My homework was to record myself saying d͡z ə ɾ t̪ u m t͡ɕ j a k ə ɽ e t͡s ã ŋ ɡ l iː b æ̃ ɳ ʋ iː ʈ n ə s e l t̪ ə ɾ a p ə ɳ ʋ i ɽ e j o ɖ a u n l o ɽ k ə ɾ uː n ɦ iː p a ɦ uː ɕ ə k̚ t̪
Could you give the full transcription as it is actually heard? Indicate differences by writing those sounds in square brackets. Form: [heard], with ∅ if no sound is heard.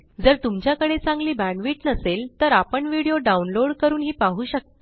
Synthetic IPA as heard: d͡z ə ɾ t̪ u m t͡ɕ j a k ə ɽ e t͡s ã ŋ ɡ l iː b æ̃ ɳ ʋ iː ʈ n ə s e l t̪ ə ɾ a p ə ɳ ʋ i ɽ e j o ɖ a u n l o ɽ k ə ɾ uː n ɦ iː p a ɦ uː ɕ ə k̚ t̪